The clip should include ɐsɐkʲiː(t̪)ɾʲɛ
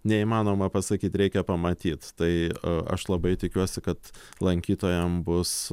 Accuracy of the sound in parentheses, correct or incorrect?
correct